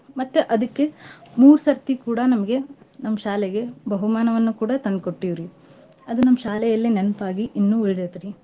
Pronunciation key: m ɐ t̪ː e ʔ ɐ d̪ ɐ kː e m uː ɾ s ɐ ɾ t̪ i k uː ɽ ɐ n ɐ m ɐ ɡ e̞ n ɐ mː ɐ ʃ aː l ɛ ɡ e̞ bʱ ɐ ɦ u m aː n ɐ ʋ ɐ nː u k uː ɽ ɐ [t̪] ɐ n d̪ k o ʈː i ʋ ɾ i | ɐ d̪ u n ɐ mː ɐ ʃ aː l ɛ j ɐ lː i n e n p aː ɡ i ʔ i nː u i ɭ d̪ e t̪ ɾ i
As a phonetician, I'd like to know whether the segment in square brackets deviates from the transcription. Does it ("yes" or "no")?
no